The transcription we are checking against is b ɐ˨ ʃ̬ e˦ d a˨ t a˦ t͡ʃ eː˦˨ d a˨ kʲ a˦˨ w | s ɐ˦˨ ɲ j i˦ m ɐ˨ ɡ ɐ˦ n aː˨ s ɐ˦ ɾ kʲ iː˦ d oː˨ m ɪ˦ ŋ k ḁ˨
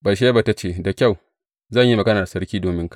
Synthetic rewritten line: b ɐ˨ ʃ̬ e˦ b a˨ t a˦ t͡ʃ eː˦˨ d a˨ kʲ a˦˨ w | z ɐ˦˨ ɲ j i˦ m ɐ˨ ɡ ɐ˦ n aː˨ s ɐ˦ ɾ kʲ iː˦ d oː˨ m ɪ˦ ŋ k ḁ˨